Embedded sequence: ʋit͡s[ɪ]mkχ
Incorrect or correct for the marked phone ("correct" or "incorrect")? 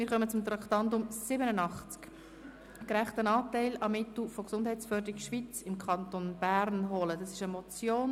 correct